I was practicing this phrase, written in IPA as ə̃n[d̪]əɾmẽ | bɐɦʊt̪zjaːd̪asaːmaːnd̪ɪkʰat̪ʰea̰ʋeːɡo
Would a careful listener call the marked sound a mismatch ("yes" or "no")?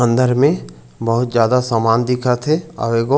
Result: no